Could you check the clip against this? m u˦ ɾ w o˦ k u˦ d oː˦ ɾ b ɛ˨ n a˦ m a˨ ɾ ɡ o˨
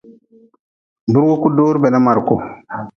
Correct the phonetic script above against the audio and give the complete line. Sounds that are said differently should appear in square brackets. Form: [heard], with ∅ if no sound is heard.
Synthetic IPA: [b] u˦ ɾ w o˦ k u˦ d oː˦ ɾ b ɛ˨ n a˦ m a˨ ɾ [k] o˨